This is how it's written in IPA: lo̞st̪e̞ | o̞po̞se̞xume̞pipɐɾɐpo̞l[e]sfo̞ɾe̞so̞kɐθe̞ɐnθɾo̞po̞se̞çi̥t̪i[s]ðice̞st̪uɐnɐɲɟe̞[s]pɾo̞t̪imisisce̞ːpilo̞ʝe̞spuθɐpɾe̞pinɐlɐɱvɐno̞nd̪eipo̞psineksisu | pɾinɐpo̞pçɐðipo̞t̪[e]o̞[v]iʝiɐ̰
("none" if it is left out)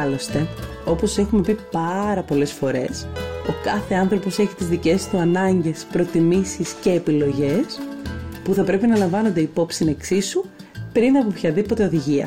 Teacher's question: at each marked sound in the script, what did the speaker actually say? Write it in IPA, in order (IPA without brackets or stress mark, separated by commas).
e, z, s, e, ð